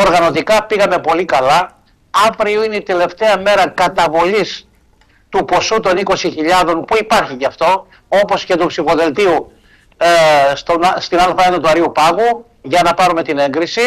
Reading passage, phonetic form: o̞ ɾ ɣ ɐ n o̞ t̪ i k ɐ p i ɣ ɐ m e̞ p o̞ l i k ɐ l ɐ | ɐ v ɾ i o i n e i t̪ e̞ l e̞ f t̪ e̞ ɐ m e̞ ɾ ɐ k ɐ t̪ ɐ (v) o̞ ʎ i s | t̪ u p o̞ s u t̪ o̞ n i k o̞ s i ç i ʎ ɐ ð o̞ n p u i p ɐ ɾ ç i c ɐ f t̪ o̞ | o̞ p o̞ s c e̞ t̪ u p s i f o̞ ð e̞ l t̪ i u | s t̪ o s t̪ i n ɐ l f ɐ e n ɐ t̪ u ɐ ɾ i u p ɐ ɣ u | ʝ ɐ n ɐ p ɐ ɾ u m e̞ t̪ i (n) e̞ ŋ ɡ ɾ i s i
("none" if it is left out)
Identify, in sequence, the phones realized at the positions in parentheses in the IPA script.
v, n

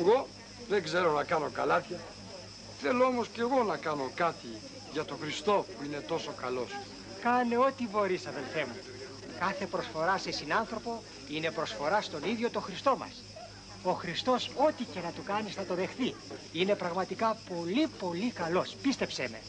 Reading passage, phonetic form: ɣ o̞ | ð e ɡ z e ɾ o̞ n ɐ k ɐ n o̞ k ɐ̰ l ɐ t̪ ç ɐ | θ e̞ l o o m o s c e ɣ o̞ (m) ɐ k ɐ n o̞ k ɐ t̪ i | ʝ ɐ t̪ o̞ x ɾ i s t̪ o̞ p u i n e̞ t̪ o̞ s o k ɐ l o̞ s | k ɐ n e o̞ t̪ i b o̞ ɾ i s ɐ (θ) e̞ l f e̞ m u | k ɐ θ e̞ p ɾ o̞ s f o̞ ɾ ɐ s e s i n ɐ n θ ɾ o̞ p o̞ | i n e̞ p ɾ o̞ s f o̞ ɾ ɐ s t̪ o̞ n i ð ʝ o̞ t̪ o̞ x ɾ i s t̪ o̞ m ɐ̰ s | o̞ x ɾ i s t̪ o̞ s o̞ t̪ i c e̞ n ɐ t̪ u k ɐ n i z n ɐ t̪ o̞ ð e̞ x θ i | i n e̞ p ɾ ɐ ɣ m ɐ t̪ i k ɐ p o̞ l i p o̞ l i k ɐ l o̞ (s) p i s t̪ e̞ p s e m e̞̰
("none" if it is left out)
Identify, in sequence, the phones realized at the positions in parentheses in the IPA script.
n, ð, s

